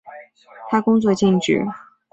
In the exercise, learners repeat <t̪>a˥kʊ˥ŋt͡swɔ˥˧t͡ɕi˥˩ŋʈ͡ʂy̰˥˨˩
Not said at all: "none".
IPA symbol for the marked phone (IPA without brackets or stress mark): t̪ʰ